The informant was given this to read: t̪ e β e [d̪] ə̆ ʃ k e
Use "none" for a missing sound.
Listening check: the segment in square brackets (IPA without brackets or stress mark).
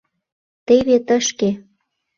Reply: t̪